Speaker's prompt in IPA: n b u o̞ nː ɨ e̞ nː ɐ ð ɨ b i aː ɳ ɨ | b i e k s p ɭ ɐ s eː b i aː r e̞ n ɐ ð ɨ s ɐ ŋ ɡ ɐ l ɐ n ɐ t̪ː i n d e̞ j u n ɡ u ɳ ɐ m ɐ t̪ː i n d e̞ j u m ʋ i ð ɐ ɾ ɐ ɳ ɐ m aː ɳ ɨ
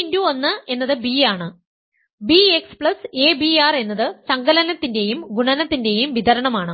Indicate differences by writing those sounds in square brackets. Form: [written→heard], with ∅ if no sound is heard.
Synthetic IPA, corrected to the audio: n [b→d] u o̞ nː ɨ e̞ nː ɐ ð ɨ b i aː ɳ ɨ | b i e k s p ɭ ɐ s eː b i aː r e̞ [n→nː] ɐ ð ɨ s ɐ ŋ ɡ ɐ l ɐ n ɐ t̪ː i n d e̞ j u [n→m] ɡ u ɳ ɐ [m→n] ɐ t̪ː i n d e̞ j u m ʋ i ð ɐ ɾ ɐ ɳ ɐ m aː ɳ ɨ